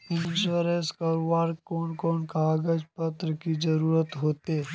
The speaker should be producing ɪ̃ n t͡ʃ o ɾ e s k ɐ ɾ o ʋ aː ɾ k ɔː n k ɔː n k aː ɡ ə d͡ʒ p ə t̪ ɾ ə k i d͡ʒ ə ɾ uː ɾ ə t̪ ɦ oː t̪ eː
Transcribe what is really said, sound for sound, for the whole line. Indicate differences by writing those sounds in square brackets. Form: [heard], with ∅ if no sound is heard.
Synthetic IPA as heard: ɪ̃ n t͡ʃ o ɾ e s k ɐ ɾ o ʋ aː ɾ k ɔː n k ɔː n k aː ɡ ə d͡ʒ p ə t̪ ɾ ə k i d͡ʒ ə ɾ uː ɾ ə t̪ ɦ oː t̪ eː